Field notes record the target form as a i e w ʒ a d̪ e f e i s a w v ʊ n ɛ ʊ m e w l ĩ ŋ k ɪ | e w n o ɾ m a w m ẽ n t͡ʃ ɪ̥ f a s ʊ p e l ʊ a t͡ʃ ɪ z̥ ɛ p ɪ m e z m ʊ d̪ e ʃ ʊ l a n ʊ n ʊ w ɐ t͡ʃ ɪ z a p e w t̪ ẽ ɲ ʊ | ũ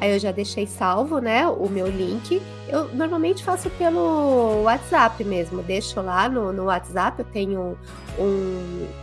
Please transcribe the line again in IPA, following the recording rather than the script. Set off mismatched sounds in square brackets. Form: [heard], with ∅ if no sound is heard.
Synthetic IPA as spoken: a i e w ʒ a d̪ e [ʃ] e [j] s a w v ʊ n ɛ ʊ m e w l ĩ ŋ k ɪ | e w n o ɾ m a w m ẽ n t͡ʃ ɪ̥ f a s ʊ p e l ʊ a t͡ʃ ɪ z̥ [a] p ɪ m e z m ʊ d̪ e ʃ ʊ l a n ʊ n ʊ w [a] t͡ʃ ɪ z a p e w t̪ ẽ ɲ ʊ | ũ